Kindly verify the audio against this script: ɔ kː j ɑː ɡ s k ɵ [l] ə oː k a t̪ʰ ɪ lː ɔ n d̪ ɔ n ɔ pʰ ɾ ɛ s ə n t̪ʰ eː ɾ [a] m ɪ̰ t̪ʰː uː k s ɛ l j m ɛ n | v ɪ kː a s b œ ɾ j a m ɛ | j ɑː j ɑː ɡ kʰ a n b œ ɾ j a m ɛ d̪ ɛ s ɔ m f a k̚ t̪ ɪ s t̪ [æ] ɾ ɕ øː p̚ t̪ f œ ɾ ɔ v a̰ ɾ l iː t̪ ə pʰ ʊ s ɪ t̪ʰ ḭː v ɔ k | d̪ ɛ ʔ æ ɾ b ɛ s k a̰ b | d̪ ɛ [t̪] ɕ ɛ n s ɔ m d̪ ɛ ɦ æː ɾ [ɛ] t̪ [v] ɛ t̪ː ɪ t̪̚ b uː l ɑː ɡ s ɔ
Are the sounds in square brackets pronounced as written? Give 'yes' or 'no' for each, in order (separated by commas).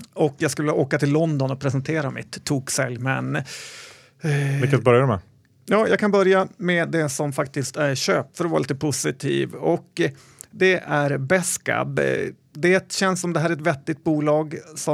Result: no, yes, yes, yes, yes, yes